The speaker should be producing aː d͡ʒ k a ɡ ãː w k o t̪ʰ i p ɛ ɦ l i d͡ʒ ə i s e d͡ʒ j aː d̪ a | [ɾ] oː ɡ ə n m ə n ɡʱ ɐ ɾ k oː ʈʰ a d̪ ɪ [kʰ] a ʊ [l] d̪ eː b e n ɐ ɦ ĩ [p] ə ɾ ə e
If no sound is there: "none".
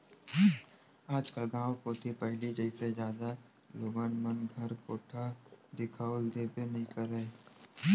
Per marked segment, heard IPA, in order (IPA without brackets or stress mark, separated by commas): l, kʰ, l, k